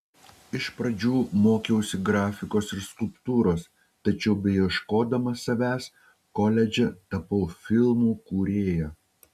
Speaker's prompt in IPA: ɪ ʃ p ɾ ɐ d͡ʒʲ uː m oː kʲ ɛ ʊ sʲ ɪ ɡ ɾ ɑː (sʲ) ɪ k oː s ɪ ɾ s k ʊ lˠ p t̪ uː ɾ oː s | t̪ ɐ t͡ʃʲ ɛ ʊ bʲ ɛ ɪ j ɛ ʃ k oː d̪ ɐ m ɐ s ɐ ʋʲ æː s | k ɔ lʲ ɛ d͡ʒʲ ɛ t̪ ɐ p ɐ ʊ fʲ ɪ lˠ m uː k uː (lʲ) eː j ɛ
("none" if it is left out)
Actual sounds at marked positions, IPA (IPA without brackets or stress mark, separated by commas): fʲ, ɾʲ